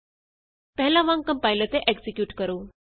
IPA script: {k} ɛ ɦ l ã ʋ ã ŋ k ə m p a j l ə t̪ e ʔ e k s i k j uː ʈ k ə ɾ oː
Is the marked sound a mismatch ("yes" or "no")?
yes